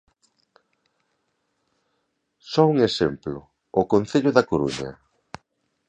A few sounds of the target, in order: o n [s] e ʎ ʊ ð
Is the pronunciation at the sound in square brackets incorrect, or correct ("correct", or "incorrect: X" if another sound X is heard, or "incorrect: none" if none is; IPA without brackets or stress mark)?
incorrect: θ